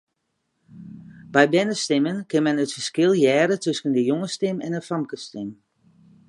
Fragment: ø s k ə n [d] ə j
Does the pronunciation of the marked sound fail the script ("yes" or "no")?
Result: no